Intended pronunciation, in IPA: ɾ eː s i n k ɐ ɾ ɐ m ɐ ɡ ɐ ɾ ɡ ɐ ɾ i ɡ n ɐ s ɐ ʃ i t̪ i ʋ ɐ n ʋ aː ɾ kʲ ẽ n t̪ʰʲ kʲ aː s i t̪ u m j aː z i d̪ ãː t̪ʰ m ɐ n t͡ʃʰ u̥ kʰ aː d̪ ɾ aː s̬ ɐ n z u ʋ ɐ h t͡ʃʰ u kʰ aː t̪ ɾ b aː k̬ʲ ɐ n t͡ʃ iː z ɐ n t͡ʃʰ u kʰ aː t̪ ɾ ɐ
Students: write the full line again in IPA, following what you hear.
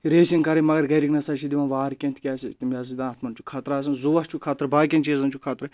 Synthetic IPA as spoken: ɾ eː s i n k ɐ ɾ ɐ m ɐ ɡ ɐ ɾ ɡ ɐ ɾ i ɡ n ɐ s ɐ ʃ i d̪ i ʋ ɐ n ʋ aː ɾ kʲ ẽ n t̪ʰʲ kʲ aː s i t̪ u m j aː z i d̪ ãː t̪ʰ m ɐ n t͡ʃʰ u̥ kʰ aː t̪ ɾ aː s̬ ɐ n z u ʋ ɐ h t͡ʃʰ u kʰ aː t̪ ɾ b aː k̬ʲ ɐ n t͡ʃ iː z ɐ n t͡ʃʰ u kʰ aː t̪ ɾ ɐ